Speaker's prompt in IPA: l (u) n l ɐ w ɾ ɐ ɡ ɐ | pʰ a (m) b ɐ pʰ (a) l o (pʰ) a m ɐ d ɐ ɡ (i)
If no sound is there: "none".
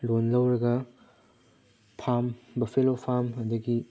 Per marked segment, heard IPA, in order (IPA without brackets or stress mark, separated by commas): o, m, e, pʰ, i